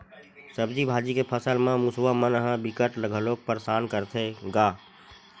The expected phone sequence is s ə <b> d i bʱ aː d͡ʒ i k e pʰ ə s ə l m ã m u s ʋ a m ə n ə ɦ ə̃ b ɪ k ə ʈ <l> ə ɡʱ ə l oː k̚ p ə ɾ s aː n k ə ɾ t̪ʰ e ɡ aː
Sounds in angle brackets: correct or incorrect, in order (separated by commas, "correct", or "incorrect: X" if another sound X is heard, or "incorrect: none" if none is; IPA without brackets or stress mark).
correct, correct